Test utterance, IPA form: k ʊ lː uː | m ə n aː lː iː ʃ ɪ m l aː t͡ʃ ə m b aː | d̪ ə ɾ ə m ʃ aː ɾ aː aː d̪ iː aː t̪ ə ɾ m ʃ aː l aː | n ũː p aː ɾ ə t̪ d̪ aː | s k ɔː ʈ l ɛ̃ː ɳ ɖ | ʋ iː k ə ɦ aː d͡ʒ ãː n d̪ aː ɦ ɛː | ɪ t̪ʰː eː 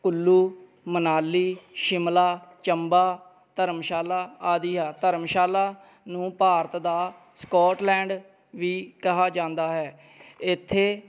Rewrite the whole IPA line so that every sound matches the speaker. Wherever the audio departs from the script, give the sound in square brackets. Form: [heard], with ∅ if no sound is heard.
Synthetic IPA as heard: k ʊ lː uː | m ə n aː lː iː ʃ ɪ m l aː t͡ʃ ə m b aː | [t̪] ə ɾ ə m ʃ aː [l] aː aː d̪ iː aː t̪ ə ɾ m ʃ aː l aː | n ũː p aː ɾ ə t̪ d̪ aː | s k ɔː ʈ l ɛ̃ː ɳ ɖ | ʋ iː k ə ɦ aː d͡ʒ ãː n d̪ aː ɦ ɛː | ɪ t̪ʰː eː